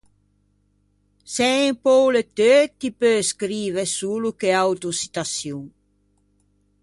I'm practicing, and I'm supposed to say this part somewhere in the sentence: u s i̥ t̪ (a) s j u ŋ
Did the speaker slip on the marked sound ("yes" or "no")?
no